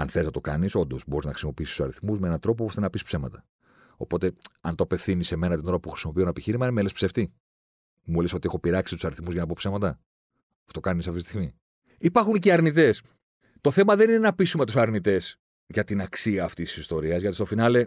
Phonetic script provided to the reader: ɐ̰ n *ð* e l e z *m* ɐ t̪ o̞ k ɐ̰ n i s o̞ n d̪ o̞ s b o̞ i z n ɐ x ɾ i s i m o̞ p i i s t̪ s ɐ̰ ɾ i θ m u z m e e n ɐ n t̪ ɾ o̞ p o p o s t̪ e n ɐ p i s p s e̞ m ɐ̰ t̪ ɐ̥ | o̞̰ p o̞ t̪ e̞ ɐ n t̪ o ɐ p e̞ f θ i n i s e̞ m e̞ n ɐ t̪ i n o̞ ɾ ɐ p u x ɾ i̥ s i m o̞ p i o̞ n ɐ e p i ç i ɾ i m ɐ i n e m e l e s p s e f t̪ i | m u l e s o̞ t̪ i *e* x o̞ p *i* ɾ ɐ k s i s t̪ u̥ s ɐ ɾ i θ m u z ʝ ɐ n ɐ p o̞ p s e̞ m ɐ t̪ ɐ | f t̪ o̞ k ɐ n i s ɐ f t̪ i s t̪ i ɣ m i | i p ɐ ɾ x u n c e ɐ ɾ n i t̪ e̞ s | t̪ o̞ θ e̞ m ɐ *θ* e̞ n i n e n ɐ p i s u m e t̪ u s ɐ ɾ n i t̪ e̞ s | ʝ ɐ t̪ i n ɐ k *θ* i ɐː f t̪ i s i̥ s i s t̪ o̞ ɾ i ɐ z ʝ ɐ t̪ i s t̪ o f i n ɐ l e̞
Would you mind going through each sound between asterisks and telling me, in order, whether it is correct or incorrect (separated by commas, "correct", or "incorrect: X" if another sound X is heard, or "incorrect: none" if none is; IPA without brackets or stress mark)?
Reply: incorrect: θ, incorrect: n, correct, correct, incorrect: ð, incorrect: s